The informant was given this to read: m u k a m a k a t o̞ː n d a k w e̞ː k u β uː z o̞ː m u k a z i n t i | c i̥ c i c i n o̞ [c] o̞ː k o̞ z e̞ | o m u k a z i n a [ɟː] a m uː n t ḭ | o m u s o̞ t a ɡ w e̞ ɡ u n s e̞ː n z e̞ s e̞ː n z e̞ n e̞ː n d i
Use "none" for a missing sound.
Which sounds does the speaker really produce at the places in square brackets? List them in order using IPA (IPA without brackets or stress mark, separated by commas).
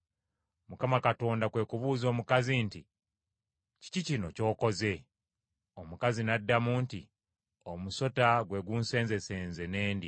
c, dː